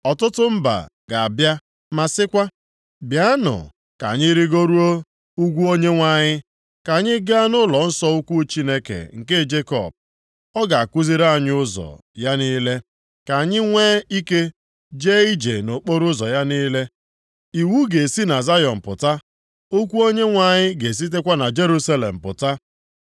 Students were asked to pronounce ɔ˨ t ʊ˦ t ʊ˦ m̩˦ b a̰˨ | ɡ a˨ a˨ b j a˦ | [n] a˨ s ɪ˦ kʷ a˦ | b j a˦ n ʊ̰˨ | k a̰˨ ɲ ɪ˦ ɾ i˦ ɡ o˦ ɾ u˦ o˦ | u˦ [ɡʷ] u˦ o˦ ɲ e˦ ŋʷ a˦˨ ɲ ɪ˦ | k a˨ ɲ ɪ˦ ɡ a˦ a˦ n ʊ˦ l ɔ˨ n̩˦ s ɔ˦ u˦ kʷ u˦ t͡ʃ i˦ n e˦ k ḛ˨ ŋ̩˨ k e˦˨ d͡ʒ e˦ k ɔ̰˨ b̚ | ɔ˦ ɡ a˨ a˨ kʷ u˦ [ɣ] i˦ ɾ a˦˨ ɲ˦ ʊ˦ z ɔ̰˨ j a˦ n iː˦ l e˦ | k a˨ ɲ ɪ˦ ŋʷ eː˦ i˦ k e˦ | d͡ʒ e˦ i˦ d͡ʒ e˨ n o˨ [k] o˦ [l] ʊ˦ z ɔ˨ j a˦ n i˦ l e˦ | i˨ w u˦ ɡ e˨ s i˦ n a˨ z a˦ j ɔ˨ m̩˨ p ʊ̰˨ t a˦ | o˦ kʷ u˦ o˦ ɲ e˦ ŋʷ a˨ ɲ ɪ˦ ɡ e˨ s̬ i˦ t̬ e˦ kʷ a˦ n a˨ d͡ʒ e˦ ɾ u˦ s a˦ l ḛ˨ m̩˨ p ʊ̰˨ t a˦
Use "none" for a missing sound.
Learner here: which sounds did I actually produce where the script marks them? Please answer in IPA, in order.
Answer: m, ɡʷ, z, k͡p, ɾ

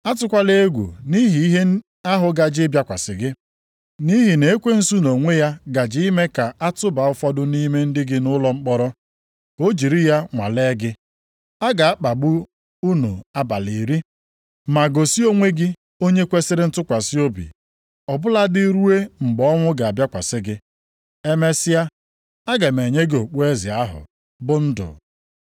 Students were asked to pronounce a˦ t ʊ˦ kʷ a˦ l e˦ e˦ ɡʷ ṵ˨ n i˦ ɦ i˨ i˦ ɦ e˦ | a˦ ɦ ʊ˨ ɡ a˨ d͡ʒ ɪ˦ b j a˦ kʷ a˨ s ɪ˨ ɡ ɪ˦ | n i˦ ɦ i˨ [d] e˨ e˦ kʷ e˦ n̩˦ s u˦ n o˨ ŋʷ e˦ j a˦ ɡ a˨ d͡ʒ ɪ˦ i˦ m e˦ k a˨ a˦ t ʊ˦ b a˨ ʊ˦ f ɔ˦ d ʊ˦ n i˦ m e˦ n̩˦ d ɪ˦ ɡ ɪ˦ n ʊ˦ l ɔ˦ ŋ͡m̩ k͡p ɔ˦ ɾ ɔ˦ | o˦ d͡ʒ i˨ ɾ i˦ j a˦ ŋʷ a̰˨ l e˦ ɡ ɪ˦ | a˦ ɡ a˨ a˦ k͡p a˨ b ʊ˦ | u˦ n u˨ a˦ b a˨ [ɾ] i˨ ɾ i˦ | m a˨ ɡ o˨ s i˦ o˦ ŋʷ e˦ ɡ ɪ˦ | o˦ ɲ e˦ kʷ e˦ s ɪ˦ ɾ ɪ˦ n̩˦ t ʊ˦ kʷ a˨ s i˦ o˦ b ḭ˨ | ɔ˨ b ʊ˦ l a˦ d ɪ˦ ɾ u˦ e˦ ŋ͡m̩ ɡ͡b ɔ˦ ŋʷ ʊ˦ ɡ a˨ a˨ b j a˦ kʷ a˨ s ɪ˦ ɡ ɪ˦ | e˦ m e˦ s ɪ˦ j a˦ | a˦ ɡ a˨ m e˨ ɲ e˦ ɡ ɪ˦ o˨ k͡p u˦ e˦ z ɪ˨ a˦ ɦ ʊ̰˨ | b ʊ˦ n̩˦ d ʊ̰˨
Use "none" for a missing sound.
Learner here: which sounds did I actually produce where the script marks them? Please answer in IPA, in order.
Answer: n, l

